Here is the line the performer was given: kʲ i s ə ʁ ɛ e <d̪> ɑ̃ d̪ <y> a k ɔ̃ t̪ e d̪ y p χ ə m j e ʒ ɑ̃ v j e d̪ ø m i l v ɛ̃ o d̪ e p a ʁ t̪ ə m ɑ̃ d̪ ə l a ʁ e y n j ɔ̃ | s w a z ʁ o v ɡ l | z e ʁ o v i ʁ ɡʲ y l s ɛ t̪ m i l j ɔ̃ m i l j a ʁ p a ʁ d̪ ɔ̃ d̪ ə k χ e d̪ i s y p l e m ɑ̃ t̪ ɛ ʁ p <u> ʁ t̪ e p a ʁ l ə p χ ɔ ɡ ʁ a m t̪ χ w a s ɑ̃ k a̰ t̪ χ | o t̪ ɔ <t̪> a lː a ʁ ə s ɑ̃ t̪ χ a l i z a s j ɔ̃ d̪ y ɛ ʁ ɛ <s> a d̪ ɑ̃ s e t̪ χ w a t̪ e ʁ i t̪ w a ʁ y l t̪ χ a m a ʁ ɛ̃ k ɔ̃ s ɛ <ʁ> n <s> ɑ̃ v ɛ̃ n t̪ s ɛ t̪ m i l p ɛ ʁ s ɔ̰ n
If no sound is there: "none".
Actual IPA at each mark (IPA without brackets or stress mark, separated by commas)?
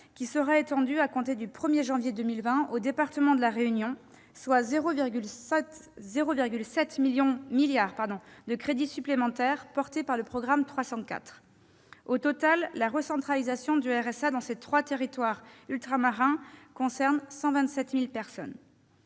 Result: t̪, y, ɔ, t̪, s, ʁ, s